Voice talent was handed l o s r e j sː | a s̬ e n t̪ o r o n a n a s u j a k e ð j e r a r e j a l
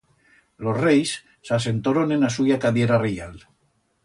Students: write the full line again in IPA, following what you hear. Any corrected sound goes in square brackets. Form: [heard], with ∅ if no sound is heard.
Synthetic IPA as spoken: l o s r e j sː | a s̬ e n t̪ o [ɾ] o n [e] n a s u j a k [a] ð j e [ɾ] a r e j a l